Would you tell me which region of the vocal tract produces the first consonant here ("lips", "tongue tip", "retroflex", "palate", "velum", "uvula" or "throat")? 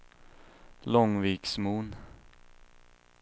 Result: tongue tip